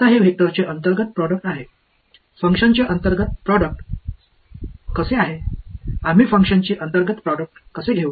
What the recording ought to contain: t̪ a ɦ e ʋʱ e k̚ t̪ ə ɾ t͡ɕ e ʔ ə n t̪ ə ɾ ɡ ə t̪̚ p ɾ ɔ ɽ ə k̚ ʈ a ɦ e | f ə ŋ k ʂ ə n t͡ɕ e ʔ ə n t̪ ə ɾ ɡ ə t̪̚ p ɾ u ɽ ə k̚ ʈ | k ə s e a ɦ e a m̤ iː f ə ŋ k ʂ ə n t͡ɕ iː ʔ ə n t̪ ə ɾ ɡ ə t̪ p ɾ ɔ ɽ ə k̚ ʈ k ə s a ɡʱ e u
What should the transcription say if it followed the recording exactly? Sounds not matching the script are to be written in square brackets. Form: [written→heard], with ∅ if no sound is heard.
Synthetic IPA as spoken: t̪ a ɦ e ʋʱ e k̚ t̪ ə ɾ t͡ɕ e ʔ ə n t̪ ə ɾ ɡ ə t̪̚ p ɾ ɔ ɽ ə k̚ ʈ a ɦ e | f ə ŋ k ʂ ə n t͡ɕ e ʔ ə n t̪ ə ɾ ɡ ə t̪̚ p ɾ [u→ɔ] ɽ ə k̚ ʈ | k ə s e a ɦ e a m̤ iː f ə ŋ k ʂ ə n t͡ɕ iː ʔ ə n t̪ ə ɾ ɡ ə t̪ p ɾ ɔ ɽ ə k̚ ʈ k ə s [a→e] ɡʱ e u